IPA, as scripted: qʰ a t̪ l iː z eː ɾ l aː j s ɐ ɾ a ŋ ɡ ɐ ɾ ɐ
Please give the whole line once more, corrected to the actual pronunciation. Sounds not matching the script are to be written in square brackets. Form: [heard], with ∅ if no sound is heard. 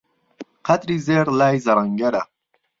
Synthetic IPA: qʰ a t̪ [ɾ] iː z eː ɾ l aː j [z] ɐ ɾ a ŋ ɡ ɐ ɾ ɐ